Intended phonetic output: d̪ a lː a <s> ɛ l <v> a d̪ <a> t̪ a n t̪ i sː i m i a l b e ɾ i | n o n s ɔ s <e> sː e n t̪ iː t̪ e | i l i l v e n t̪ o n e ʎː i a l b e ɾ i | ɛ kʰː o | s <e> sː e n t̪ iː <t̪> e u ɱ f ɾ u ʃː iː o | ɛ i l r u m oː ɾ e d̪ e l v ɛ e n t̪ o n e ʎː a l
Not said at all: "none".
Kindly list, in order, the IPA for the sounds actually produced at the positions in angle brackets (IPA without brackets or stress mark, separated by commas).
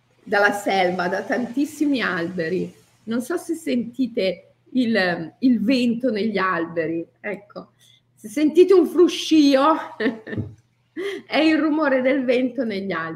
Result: s, v, a, e, e, t̪